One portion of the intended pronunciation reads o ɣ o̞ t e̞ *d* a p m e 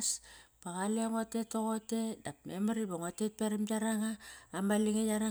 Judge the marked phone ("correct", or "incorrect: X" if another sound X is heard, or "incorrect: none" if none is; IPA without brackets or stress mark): correct